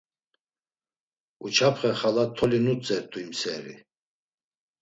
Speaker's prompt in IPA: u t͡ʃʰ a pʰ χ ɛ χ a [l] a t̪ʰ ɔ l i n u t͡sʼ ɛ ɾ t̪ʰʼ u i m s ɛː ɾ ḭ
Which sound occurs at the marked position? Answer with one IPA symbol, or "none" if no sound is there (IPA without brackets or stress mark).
l